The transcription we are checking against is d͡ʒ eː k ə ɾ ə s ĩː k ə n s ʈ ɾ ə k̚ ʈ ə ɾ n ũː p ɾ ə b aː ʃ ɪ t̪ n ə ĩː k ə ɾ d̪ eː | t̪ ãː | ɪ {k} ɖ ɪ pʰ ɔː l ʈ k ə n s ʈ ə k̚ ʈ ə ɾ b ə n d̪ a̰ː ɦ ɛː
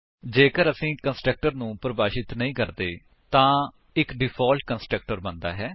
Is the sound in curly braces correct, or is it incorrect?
correct